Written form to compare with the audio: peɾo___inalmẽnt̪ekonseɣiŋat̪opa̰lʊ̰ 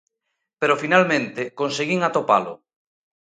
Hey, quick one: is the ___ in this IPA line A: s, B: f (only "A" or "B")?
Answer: B